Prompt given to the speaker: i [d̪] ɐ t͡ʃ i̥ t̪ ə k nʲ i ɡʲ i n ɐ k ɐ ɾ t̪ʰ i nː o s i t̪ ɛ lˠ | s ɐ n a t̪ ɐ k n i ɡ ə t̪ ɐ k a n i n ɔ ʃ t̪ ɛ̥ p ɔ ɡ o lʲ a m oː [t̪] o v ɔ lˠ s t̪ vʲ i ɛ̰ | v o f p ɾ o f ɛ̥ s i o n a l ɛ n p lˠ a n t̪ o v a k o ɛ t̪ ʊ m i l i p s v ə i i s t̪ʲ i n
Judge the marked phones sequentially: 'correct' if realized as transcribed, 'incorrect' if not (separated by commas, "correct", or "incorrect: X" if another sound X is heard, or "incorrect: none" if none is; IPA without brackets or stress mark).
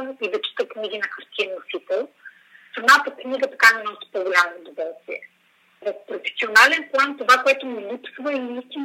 correct, incorrect: d̪